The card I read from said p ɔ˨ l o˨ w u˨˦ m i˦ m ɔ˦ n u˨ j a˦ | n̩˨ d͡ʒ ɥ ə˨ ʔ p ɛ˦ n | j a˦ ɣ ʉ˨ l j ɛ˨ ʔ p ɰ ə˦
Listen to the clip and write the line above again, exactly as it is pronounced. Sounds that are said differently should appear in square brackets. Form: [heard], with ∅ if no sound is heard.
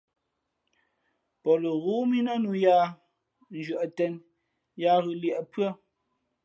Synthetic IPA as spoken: p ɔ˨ l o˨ [ɣ] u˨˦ m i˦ [n] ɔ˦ n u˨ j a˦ | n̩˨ d͡ʒ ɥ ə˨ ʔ [t] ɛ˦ n | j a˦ ɣ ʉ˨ l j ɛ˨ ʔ p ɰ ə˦